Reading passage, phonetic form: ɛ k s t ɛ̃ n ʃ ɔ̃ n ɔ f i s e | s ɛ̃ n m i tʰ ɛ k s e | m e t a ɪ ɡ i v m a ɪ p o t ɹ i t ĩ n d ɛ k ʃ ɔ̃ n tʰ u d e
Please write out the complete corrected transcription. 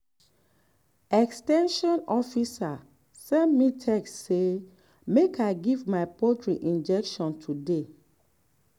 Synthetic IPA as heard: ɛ k s t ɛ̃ n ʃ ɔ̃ n ɔ f i s a | s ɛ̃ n m i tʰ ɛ k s e | m e k a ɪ ɡ i v m a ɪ p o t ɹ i ʔ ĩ n d͡ʒ ɛ k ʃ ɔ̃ n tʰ u d e